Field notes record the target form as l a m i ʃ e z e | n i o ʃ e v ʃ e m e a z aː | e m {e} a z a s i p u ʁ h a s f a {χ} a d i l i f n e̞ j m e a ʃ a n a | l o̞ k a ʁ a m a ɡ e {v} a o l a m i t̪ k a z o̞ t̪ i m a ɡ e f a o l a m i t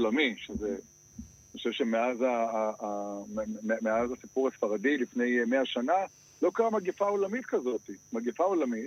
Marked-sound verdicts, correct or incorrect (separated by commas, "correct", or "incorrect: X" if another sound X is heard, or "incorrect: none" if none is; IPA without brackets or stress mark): correct, incorrect: ʁ, incorrect: f